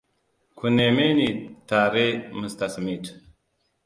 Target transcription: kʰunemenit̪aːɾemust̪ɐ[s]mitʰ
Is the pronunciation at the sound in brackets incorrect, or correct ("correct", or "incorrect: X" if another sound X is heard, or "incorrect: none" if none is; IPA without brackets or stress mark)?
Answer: correct